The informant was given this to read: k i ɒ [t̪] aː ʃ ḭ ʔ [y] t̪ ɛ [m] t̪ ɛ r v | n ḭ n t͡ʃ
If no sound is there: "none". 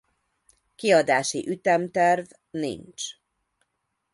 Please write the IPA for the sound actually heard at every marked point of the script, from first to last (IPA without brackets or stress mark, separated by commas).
d̪, y, m